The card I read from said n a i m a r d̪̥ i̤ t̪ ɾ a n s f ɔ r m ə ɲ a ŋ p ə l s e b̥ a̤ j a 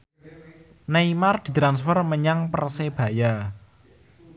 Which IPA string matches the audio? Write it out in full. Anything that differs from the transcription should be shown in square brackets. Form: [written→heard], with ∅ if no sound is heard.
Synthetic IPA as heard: n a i m a r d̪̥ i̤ t̪ ɾ a n s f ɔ r m ə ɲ a ŋ p ə [l→r] s e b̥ a̤ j a